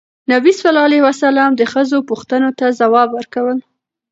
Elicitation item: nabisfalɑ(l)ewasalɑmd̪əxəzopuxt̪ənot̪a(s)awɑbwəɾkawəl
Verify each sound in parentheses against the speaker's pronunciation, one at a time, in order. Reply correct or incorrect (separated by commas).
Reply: correct, incorrect